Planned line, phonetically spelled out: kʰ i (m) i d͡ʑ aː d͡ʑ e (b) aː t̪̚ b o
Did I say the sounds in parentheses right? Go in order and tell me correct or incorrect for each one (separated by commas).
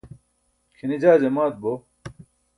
incorrect, incorrect